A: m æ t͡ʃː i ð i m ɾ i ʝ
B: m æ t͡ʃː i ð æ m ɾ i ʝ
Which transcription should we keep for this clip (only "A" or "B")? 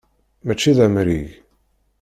B